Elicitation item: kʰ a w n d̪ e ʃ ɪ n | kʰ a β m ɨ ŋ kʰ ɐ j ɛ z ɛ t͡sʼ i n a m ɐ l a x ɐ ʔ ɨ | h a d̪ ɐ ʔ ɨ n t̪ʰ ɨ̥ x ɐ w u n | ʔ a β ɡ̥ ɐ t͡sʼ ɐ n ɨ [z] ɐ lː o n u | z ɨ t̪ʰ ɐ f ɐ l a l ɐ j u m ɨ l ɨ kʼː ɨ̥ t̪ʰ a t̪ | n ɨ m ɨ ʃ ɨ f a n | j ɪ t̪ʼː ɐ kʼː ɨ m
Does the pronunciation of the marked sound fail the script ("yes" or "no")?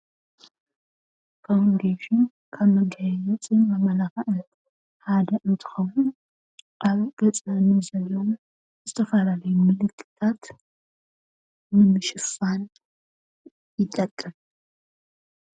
no